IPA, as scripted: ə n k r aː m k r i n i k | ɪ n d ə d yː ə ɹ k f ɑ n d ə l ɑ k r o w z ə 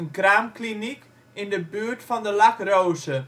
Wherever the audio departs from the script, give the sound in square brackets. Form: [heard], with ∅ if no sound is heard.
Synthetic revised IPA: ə n k r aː m k [l] i n i k | ɪ n d ə [b] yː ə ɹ [t] f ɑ n d ə l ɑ k r o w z ə